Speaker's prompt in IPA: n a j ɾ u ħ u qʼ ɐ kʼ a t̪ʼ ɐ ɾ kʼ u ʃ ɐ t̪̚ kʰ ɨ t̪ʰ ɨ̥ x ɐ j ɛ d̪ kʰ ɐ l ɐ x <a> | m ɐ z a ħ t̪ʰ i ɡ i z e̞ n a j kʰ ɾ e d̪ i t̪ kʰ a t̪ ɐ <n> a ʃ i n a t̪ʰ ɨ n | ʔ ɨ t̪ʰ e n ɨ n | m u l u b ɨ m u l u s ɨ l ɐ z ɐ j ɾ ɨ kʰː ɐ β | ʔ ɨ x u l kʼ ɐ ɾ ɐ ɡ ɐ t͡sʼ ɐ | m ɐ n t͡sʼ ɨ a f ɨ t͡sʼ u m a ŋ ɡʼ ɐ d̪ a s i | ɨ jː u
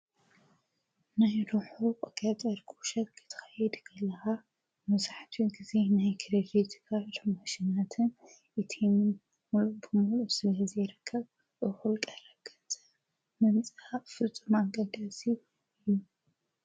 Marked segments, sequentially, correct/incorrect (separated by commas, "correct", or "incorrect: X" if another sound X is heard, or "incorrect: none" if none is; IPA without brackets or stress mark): correct, incorrect: m